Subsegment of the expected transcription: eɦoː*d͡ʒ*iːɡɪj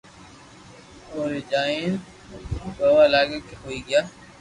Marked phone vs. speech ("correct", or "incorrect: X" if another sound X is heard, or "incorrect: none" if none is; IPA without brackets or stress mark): incorrect: none